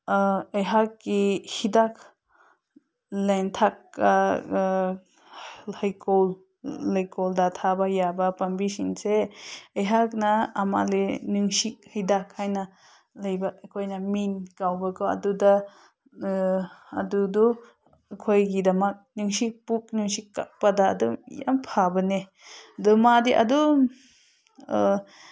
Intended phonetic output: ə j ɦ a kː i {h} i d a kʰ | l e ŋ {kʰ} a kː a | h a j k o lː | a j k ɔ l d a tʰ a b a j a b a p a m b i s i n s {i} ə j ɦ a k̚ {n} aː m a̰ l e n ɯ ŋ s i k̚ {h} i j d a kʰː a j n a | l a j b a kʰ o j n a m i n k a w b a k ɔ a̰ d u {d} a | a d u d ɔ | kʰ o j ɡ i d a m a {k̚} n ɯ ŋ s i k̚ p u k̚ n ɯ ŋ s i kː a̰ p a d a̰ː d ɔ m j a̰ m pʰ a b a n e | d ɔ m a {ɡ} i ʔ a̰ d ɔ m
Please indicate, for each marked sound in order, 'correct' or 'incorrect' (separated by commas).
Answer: correct, incorrect, incorrect, correct, correct, correct, correct, incorrect